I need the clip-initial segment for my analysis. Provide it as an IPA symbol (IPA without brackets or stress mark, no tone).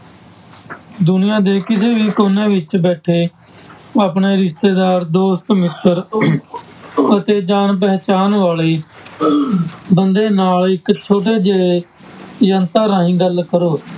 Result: d̪